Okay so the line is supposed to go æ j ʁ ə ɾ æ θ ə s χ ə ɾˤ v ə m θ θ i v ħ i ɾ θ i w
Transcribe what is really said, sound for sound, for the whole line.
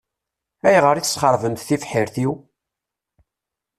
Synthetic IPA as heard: æ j ʁ ə ɾ i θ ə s χ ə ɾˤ v ə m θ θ i f ħ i ɾ θ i w